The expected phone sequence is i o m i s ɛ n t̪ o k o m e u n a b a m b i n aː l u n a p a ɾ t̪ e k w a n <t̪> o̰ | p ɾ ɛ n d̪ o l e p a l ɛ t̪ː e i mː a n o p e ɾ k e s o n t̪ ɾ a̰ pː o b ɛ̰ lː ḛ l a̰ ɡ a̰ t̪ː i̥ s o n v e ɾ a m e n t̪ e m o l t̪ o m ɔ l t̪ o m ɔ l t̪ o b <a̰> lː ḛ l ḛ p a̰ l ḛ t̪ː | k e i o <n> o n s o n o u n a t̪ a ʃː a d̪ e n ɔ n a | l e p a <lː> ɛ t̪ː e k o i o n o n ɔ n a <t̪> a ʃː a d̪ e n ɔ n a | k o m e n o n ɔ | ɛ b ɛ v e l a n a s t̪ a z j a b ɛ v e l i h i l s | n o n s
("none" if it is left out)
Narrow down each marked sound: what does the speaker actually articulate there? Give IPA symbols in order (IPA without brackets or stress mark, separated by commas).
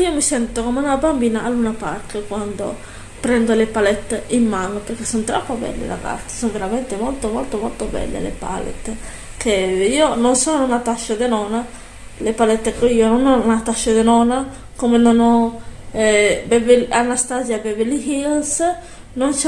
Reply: d̪, ɛ̰, n, l, t̪